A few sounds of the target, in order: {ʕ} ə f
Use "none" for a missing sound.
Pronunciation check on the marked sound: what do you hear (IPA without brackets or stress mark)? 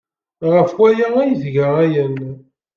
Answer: ʁ